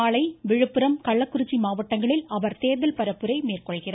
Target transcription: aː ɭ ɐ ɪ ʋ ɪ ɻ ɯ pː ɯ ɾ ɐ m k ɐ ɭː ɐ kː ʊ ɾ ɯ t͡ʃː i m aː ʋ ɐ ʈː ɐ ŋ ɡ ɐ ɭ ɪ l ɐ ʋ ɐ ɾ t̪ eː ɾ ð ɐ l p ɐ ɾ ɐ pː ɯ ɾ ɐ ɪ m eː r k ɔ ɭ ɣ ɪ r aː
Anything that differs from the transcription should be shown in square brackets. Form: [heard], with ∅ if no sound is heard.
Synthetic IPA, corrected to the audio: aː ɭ ɐ ɪ ʋ ɪ ɻ ɯ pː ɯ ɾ ɐ m k ɐ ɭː ɐ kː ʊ ɾ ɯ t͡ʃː i m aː ʋ ɐ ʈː ɐ ŋ ɡ ɐ ɭ ɪ l ɐ ʋ ɐ ɾ t̪ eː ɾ ð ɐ l p ɐ ɾ ɐ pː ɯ ɾ ɐ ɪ m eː r k ɔ ɭ ɣ ɪ r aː